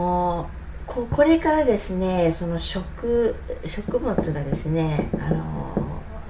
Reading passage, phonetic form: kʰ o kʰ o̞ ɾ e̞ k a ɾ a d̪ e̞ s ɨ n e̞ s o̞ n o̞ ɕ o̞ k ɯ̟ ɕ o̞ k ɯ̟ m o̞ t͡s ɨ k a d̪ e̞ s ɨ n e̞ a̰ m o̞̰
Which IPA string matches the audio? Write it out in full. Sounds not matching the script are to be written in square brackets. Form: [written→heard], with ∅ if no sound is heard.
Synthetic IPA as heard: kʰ o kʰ o̞ ɾ e̞ k a ɾ a d̪ e̞ s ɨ n e̞ s o̞ n o̞ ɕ o̞ k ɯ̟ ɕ o̞ k ɯ̟ m o̞ t͡s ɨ [k→ɡ] a d̪ e̞ s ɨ n e̞ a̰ [m→n] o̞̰